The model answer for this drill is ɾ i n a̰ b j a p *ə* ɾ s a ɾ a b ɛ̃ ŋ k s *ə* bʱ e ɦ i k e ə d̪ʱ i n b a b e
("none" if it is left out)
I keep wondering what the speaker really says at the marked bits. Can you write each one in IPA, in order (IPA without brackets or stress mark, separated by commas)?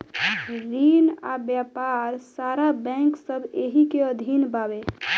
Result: a, ə